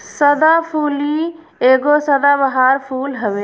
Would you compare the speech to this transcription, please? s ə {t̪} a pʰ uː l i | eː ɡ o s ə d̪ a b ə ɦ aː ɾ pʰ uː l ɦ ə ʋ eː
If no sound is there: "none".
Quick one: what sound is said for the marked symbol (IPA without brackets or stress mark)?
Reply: d̪